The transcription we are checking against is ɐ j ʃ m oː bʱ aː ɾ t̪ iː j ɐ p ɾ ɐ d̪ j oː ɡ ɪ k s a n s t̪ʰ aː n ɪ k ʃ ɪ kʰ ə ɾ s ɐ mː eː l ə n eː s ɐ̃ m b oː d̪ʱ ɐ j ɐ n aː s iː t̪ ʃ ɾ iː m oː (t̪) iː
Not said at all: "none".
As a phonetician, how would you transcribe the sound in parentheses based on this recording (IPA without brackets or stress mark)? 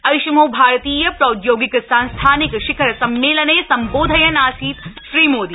d̪